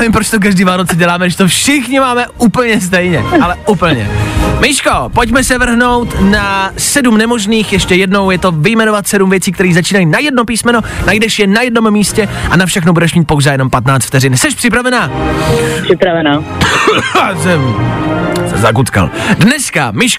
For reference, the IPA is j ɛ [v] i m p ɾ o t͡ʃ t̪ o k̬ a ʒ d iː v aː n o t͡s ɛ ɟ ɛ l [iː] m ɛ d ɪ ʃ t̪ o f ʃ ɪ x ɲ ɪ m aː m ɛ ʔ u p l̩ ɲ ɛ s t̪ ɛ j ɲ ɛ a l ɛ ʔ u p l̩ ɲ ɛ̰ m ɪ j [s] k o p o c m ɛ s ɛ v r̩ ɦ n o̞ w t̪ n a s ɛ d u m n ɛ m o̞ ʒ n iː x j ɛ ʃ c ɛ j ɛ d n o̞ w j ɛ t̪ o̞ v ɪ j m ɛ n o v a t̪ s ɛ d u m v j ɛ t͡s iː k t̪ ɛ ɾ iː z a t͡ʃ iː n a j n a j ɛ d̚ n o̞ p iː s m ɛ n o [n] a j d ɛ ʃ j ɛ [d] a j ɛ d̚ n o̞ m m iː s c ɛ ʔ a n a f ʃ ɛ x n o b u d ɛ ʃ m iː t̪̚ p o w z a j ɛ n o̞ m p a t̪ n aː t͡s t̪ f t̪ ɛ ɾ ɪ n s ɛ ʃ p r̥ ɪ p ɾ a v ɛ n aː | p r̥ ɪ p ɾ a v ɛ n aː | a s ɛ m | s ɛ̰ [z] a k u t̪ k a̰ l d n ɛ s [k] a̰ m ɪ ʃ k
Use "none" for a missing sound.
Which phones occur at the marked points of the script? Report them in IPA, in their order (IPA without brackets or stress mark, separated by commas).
v, aː, ʃ, n, n, z, k